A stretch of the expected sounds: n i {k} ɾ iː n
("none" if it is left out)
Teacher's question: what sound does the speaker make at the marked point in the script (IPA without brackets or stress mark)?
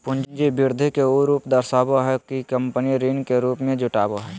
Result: none